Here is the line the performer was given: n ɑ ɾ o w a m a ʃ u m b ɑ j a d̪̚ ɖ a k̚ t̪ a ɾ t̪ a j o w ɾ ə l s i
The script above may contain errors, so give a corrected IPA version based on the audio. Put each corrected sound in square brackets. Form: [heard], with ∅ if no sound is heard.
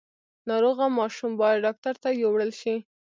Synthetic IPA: n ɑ ɾ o [ɣ] a m [ɑ] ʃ u m b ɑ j a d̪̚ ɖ [ɑ] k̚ t̪ a ɾ t̪ a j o w [ɽ] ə l [ʃ] i